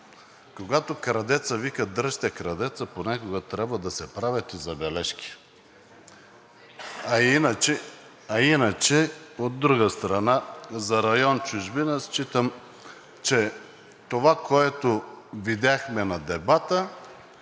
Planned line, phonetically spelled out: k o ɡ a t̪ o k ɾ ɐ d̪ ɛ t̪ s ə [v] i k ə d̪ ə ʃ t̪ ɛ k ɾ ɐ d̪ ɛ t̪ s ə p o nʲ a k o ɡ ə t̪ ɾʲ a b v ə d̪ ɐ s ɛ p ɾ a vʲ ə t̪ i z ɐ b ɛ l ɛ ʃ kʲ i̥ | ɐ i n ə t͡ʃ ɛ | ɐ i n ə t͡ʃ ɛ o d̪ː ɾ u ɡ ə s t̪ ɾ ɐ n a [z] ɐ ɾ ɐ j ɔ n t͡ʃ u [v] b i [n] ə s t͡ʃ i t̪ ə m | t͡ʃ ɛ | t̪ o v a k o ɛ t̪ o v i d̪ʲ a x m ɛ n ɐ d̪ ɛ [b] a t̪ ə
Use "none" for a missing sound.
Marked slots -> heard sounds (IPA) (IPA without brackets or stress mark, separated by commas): v, z, ʒ, n, b